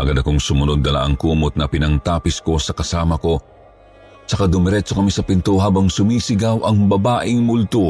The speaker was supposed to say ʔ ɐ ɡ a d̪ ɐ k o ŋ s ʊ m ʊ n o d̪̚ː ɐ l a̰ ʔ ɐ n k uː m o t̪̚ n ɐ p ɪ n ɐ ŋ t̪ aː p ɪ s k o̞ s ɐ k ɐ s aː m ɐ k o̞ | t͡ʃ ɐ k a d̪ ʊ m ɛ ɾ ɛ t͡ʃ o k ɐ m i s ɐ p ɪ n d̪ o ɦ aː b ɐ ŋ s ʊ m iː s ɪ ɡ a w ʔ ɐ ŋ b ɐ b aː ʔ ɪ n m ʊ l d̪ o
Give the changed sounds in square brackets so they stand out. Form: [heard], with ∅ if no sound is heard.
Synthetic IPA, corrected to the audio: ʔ ɐ ɡ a d̪ ɐ k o ŋ s ʊ m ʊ n o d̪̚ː ɐ l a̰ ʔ ɐ [ŋ] k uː m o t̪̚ n ɐ p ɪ n ɐ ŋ t̪ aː p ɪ s k o̞ s ɐ k ɐ s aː m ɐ k o̞ | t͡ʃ ɐ k a d̪ ʊ m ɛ ɾ ɛ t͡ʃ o k ɐ m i s ɐ p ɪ n [t̪] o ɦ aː b ɐ ŋ s ʊ m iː s ɪ ɡ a w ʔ ɐ ŋ b ɐ b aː ʔ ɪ [ŋ] m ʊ l [t̪] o